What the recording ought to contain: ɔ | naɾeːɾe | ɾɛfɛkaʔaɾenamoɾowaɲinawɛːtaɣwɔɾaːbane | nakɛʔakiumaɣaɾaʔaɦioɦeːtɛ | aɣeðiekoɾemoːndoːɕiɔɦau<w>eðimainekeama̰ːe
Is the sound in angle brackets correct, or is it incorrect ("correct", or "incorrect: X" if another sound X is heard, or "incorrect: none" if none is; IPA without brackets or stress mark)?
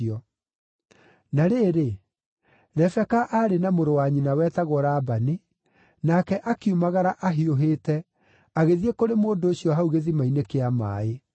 incorrect: ɣ